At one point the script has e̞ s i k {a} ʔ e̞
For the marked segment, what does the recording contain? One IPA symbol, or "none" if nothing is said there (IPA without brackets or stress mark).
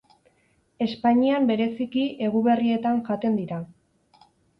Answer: i